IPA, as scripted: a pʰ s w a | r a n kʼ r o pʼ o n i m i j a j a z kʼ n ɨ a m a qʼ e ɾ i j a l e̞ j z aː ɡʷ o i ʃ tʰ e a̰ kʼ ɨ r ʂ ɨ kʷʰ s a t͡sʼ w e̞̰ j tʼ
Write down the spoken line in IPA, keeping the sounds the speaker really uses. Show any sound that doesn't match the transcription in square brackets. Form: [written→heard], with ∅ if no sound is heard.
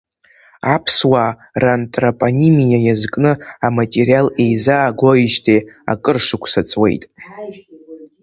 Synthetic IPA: a pʰ s w a | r a n [kʼ→tʼ] r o pʼ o n i m i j a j a z kʼ n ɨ a m a [qʼ→tʼ] e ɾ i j a l e̞ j z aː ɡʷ o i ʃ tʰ e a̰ kʼ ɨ r ʂ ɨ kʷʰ s a t͡sʼ w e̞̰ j tʼ